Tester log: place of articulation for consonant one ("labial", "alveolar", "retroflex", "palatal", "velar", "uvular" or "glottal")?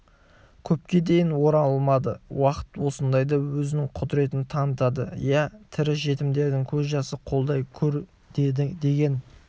velar